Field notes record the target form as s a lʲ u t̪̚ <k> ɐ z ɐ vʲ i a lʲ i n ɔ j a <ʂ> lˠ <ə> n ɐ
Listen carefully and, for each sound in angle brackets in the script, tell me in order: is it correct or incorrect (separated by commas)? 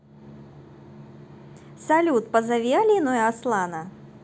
incorrect, incorrect, incorrect